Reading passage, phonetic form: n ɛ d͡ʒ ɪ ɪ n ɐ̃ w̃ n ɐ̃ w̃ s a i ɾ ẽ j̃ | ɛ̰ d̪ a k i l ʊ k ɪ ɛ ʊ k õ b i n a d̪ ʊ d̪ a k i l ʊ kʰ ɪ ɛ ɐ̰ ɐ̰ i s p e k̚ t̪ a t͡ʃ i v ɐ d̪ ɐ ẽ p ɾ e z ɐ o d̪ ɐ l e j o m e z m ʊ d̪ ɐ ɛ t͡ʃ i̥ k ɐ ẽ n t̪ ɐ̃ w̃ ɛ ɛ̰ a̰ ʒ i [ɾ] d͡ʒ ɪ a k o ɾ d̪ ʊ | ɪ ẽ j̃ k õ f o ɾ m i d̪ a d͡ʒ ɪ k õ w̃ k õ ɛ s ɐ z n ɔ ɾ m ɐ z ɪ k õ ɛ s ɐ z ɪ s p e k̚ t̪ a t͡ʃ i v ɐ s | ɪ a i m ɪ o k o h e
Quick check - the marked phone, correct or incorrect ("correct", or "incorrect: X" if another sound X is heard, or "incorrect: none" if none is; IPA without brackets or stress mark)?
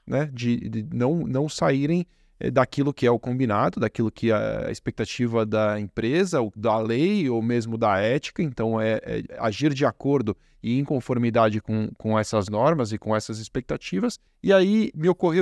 correct